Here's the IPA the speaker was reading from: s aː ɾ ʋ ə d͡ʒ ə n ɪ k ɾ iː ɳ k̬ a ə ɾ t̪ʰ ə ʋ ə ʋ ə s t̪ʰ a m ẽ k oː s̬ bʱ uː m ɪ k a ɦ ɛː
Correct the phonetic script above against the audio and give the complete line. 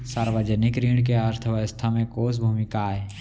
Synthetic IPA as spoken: s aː ɾ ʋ ə d͡ʒ ə n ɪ k ɾ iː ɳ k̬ e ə ɾ t̪ʰ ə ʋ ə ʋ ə s t̪ʰ a m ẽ k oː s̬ bʱ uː m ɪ k a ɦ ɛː